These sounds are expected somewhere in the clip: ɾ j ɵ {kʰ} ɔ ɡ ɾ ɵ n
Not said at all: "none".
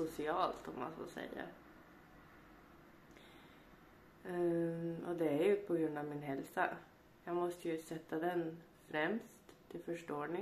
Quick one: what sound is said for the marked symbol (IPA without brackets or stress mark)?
pʰ